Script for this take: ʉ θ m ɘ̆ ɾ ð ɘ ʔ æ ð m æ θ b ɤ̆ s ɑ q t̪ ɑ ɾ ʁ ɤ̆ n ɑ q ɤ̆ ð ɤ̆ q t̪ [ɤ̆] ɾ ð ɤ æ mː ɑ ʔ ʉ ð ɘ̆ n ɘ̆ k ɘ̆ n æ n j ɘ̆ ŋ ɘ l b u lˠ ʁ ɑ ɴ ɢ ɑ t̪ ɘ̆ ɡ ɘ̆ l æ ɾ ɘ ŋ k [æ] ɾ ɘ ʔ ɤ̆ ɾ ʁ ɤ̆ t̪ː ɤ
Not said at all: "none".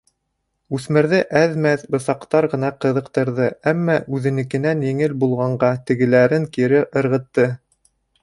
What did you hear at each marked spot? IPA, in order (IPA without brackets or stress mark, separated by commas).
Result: ɤ̆, i